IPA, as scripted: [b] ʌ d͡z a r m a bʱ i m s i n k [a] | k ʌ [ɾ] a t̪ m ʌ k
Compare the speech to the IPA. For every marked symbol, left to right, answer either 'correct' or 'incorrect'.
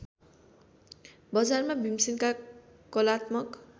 correct, correct, incorrect: l

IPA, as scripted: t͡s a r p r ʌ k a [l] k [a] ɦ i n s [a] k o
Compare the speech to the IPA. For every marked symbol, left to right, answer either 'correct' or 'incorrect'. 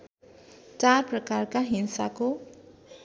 incorrect: r, correct, correct

